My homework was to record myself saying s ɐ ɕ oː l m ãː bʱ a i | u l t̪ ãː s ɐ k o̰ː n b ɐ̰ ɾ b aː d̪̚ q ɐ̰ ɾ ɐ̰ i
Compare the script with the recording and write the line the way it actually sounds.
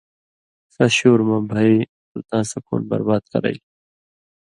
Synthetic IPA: s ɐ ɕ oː ɾ m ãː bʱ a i | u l t̪ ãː s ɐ k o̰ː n b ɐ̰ ɾ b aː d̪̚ k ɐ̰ ɾ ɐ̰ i